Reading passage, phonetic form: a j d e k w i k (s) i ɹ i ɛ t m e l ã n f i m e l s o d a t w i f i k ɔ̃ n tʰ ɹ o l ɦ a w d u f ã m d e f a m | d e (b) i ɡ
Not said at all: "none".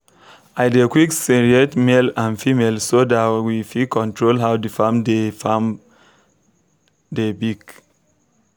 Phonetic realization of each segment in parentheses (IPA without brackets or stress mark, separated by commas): s, b